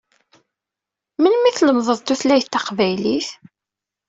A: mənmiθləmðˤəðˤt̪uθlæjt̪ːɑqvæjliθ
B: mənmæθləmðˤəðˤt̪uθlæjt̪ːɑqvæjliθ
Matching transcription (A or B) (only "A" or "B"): A